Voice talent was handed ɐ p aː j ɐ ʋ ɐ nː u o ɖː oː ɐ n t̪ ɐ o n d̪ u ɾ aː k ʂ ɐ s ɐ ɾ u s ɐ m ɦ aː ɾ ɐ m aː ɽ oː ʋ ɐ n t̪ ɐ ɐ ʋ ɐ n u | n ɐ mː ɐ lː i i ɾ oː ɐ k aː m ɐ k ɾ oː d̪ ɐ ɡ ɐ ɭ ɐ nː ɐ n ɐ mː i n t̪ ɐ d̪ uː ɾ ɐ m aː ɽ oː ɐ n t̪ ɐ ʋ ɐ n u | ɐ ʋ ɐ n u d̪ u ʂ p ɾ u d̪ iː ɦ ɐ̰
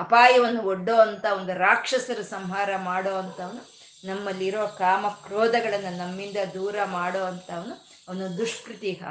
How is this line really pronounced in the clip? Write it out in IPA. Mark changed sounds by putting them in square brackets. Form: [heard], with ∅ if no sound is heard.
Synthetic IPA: ɐ p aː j ɐ ʋ ɐ nː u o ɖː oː ɐ n t̪ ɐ o n d̪ u ɾ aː k ʂ ɐ s ɐ ɾ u s ɐ m ɦ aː ɾ ɐ m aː ɽ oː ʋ ɐ n t̪ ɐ ɐ ʋ ɐ n u | n ɐ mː ɐ lː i i ɾ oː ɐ k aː m ɐ k ɾ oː d̪ ɐ ɡ ɐ ɭ ɐ nː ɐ n ɐ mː i n [d̪] ɐ d̪ uː ɾ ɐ m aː ɽ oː ɐ n t̪ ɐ ʋ ɐ n u | ɐ ʋ ɐ n u d̪ u ʂ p ɾ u [t̪] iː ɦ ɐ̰